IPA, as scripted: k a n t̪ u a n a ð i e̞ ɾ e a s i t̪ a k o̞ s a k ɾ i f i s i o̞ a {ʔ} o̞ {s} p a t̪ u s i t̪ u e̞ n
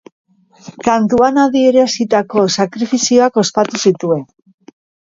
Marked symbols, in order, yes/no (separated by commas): no, yes